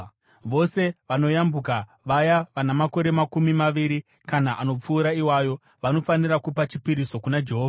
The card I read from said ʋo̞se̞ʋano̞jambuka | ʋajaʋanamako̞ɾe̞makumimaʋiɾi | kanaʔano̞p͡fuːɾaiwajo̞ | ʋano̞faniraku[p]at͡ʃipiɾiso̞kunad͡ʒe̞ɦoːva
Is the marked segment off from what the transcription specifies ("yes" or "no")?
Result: no